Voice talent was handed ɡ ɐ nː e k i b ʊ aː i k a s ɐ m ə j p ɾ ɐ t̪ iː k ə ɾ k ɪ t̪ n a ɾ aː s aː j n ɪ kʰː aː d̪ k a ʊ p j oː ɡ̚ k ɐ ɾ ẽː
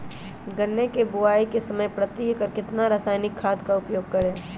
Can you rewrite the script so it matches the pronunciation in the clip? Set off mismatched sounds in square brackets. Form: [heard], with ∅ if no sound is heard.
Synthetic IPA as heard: ɡ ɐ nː e k [e] b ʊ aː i k [e] s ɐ m ə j p ɾ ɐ t̪ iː k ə ɾ k ɪ t̪ n a ɾ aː s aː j n ɪ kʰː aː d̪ k a ʊ p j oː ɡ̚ k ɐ ɾ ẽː

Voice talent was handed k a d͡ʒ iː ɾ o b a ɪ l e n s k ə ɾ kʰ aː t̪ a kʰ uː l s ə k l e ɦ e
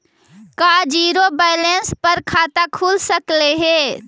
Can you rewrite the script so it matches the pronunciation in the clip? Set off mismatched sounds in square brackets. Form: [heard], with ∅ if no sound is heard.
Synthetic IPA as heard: k a d͡ʒ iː ɾ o b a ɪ l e n s [p] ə ɾ kʰ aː t̪ a kʰ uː l s ə k l e ɦ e

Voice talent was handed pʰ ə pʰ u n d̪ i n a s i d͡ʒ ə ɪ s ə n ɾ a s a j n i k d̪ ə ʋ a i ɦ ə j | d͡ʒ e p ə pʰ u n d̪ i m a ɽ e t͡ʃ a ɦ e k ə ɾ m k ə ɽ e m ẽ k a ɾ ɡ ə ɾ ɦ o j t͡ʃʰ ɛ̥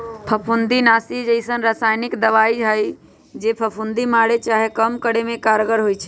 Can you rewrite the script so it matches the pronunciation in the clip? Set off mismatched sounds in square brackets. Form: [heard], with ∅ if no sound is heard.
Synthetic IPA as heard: pʰ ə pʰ u n d̪ i n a s i d͡ʒ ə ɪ s ə n ɾ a s a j n i k d̪ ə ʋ a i ɦ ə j | d͡ʒ e [pʰ] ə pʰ u n d̪ i m a ɽ e t͡ʃ a ɦ e k ə [∅] m k ə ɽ e m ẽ k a ɾ ɡ ə ɾ ɦ o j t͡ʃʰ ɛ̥

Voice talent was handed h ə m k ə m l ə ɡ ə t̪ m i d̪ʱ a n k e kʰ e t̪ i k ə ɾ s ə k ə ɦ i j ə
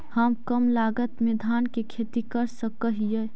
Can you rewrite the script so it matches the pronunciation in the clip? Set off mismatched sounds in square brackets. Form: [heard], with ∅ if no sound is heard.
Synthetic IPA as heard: h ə m k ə m l [a] ɡ ə t̪ m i d̪ʱ a n k e kʰ e t̪ i k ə ɾ s ə k ə ɦ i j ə

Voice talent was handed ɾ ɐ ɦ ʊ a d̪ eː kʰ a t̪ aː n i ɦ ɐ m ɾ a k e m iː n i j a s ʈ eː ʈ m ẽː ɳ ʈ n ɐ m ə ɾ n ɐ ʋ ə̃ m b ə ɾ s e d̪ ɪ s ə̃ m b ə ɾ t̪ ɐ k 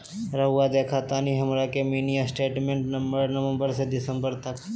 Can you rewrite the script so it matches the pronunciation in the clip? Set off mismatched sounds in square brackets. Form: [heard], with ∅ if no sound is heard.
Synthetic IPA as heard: ɾ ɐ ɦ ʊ a d̪ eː kʰ a t̪ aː n i ɦ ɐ m ɾ a k e m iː n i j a s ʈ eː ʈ m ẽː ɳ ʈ n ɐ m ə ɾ n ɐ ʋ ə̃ m b ə ɾ s e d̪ ɪ s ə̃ m b ə ɾ t̪ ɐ k

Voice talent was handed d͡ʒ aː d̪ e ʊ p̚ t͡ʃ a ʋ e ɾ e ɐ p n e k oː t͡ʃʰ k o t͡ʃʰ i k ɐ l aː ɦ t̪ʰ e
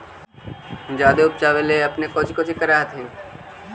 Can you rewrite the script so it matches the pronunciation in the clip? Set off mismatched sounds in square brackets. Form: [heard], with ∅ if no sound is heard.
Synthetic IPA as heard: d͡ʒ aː d̪ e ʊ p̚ t͡ʃ a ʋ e [l] e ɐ p n e k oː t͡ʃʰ k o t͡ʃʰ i k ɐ [ɾ] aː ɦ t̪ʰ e

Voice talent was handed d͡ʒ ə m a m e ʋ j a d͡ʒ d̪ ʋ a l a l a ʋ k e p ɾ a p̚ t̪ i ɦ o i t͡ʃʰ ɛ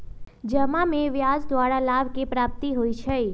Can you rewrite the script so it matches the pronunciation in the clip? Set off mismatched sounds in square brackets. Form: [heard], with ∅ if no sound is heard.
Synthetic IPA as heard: d͡ʒ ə m a m e ʋ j a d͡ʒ d̪ ʋ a [ɽ] a l a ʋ k e p ɾ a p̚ t̪ i ɦ o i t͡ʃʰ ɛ

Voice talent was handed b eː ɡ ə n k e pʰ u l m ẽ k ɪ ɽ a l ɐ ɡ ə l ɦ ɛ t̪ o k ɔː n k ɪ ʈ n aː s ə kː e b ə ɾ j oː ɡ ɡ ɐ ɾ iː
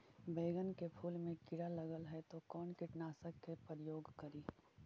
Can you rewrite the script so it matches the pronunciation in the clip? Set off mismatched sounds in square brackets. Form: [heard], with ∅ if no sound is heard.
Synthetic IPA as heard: b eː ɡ ə n k e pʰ [uː] l m ẽ k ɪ ɽ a l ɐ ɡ ə l ɦ ɛ t̪ o k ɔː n k ɪ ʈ n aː s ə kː e [p] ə ɾ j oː ɡ [k] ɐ ɾ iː

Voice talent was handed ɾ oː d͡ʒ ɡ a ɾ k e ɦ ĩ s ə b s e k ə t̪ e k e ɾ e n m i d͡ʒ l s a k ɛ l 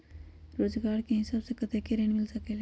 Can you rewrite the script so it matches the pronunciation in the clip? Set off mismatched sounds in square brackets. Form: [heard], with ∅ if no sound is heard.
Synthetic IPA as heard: ɾ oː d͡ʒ ɡ a ɾ k e ɦ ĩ s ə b s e k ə t̪ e k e ɾ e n m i [∅] l s [ə] k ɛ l

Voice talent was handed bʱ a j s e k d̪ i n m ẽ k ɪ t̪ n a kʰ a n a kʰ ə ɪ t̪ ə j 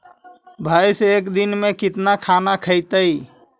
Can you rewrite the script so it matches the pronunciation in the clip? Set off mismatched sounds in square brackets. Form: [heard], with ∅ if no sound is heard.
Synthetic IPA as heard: bʱ a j s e k d̪ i n m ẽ k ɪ t̪ n a kʰ a n a kʰ ə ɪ t̪ ə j

